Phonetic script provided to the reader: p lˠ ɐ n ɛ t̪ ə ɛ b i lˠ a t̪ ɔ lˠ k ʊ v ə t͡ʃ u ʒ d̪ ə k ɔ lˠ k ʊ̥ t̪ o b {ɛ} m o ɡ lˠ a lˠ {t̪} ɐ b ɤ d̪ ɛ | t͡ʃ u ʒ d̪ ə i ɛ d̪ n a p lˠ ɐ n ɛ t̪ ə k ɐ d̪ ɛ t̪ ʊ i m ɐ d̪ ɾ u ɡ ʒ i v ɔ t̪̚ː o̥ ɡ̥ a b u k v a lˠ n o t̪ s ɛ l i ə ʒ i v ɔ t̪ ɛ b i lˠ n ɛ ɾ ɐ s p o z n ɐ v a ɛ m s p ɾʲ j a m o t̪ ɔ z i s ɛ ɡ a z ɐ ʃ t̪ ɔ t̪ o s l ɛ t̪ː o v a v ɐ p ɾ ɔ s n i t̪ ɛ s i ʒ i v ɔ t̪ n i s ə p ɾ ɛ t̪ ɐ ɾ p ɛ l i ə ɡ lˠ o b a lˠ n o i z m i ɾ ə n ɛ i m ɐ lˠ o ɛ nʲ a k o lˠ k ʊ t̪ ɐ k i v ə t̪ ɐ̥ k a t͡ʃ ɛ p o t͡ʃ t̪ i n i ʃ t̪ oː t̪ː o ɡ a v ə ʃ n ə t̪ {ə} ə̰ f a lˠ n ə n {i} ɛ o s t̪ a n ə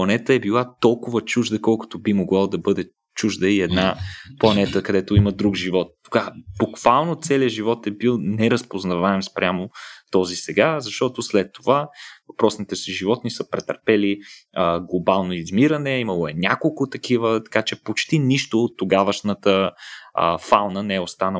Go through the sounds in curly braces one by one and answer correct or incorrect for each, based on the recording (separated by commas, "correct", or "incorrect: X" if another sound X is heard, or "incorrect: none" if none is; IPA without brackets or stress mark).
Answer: incorrect: i, incorrect: d̪, correct, incorrect: ɛ